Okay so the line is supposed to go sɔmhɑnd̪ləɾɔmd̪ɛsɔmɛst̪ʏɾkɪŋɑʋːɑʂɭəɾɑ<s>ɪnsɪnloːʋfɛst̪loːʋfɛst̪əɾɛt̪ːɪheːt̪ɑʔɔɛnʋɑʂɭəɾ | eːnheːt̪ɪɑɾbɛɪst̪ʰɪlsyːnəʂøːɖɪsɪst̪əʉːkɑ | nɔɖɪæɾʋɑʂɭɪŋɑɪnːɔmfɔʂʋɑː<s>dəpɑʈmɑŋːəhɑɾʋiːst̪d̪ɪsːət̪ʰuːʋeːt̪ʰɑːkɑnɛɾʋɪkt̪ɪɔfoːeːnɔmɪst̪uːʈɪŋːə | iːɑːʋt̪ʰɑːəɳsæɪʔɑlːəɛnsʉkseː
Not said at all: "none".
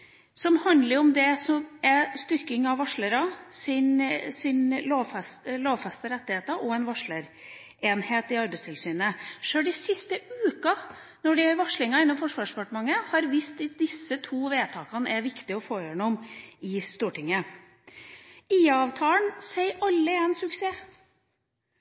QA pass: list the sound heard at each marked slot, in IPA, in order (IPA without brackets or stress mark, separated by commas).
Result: s, ʂ